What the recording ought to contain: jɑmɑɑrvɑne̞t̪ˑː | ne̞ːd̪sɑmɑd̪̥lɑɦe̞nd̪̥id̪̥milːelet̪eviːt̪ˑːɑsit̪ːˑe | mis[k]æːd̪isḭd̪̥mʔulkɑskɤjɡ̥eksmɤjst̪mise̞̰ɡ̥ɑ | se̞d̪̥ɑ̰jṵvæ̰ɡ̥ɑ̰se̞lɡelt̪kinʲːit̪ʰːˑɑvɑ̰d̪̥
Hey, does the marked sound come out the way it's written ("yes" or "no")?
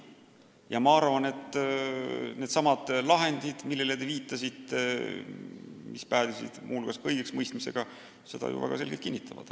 no